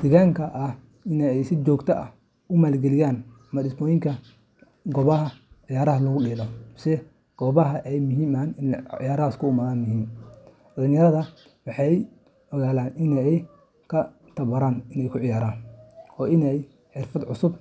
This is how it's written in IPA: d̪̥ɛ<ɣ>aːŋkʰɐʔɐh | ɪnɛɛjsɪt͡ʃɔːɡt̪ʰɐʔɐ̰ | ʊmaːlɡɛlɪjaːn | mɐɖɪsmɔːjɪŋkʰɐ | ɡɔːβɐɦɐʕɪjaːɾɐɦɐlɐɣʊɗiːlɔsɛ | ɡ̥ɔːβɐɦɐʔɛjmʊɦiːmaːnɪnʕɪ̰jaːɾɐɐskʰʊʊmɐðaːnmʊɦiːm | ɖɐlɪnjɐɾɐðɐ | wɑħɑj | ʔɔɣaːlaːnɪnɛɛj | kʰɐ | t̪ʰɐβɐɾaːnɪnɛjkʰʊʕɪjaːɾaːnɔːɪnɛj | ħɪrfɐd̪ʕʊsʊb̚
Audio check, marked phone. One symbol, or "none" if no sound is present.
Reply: ɣ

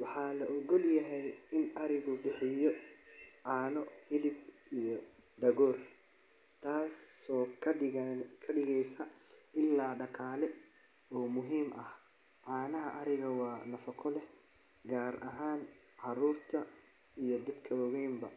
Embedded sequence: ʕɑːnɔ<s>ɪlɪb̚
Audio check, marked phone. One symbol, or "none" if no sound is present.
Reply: h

